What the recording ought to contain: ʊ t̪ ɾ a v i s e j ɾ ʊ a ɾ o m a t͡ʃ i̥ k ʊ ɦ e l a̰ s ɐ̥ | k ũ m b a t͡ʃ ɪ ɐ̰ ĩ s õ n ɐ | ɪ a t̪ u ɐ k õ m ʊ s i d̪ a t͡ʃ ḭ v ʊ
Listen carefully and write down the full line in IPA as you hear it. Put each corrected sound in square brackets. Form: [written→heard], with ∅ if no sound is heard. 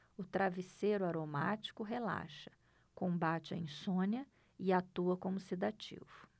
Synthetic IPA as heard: ʊ t̪ ɾ a v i s e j ɾ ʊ a ɾ o m a t͡ʃ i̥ k ʊ ɦ e l a̰ [s→ʃ] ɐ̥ | k [ũ→õ] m b a t͡ʃ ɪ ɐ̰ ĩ s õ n ɐ | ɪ a t̪ u ɐ k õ m ʊ s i d̪ a t͡ʃ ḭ v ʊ